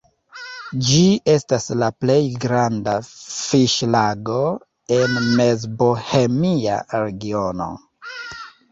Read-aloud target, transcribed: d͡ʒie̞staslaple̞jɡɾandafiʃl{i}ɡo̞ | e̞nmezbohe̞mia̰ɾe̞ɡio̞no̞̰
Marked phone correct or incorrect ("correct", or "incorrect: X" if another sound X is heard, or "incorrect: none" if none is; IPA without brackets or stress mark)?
incorrect: a